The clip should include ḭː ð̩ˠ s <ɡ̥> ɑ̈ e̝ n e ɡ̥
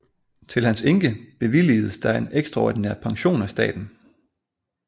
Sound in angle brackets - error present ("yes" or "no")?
yes